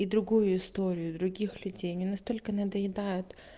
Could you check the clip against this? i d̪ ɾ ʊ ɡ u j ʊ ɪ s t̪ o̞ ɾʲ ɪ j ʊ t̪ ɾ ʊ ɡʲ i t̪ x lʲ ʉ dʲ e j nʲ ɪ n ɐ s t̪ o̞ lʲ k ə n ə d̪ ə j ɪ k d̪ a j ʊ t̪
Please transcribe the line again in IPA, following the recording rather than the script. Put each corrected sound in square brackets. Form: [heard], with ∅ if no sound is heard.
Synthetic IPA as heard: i d̪ ɾ ʊ ɡ u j ʊ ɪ s t̪ o̞ ɾʲ ɪ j ʊ [d̪] ɾ ʊ ɡʲ i [∅] x lʲ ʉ dʲ e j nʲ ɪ n ɐ s t̪ o̞ lʲ k ə n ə d̪ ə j ɪ [∅] d̪ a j ʊ t̪

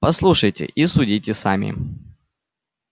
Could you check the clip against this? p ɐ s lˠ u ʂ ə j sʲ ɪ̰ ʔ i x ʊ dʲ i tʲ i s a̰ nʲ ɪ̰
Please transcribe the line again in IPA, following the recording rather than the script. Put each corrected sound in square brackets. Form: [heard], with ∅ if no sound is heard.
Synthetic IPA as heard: p ɐ s lˠ u ʂ ə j [tʲ] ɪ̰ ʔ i [s] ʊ dʲ i tʲ [ɪ] s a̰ [mʲ] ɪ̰

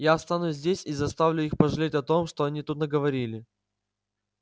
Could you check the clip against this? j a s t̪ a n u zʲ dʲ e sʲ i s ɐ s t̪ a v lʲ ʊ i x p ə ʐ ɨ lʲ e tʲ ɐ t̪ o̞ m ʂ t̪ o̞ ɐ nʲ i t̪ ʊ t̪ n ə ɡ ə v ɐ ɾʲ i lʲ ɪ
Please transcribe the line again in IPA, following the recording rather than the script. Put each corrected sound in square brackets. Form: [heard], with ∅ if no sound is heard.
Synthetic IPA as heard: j a s t̪ a n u zʲ dʲ e sʲ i [z] ɐ s t̪ a v lʲ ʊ i x p ə ʐ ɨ lʲ e tʲ ɐ t̪ o̞ m ʂ t̪ o̞ ɐ nʲ i t̪ [u] t̪ n ə ɡ ə v ɐ ɾʲ i lʲ ɪ

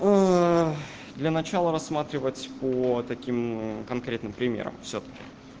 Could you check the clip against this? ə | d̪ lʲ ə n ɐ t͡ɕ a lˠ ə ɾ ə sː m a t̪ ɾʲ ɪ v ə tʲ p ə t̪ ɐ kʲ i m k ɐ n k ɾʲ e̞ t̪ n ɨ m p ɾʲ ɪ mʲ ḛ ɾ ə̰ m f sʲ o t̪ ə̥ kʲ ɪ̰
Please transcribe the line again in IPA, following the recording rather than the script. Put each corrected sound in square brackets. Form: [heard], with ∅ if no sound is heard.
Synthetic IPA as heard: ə | d̪ lʲ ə n ɐ t͡ɕ a lˠ ə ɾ [ɐ] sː m a t̪ ɾʲ ɪ v ə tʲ p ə t̪ ɐ kʲ i m k ɐ n k ɾʲ e̞ t̪ n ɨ m p ɾʲ ɪ mʲ ḛ ɾ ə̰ m f sʲ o t̪ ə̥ kʲ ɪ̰

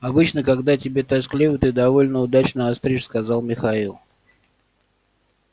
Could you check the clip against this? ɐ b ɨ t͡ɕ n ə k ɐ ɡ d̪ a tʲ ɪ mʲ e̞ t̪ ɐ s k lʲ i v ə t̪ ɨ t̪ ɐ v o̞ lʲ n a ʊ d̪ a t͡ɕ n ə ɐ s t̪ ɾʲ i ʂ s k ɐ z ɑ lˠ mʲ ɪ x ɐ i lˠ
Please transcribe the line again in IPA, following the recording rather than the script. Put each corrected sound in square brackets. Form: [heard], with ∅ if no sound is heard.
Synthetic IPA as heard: ɐ b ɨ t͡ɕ n ə k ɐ ɡ d̪ a tʲ ɪ [bʲ] e̞ t̪ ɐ s k lʲ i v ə t̪ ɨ [d̪] ɐ v o̞ lʲ n [ə] ʊ d̪ a t͡ɕ n ə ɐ s t̪ ɾʲ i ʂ s k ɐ z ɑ lˠ mʲ ɪ x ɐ i lˠ

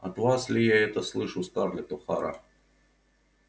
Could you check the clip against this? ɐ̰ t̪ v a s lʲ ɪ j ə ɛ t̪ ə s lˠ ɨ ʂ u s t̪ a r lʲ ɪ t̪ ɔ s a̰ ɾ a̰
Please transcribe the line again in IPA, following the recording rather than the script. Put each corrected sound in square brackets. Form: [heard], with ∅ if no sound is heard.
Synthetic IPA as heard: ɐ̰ t̪ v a s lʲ ɪ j [a] ɛ t̪ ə s lˠ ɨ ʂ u s t̪ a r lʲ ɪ t̪ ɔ [x] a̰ ɾ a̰

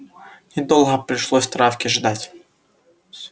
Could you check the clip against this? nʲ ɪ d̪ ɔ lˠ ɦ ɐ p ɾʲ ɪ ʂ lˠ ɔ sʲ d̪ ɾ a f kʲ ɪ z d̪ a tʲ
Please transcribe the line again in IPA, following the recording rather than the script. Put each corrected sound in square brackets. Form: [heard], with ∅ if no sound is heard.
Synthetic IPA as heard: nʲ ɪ d̪ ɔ lˠ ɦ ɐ p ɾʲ ɪ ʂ lˠ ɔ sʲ [t̪] ɾ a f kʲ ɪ [ʐ] d̪ a tʲ

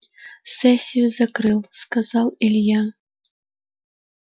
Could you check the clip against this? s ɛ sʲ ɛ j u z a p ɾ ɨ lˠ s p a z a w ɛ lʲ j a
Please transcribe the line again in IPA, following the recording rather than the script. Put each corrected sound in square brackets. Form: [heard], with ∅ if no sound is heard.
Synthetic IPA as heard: s ɛ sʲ [i] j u z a [k] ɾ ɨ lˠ s [k] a z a w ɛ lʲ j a

